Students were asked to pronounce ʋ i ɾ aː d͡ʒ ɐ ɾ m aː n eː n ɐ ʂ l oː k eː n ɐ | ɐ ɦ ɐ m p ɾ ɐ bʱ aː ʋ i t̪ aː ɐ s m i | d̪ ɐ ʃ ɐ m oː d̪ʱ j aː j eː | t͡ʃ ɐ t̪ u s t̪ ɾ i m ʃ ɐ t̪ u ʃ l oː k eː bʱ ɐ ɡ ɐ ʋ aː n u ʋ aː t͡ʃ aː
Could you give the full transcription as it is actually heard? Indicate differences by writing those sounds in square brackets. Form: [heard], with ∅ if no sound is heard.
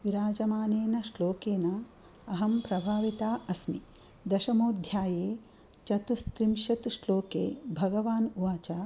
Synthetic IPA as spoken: ʋ i ɾ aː d͡ʒ ɐ [∅] m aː n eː n ɐ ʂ l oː k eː n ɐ | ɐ ɦ ɐ m p ɾ ɐ bʱ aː ʋ i t̪ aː ɐ s m i | d̪ ɐ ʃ ɐ m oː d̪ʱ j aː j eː | t͡ʃ ɐ t̪ u s t̪ ɾ i m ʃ ɐ t̪ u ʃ l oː k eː bʱ ɐ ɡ ɐ ʋ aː n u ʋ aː t͡ʃ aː